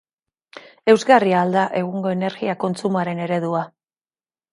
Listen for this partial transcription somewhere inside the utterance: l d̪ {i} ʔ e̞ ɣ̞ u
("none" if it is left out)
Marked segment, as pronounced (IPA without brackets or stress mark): a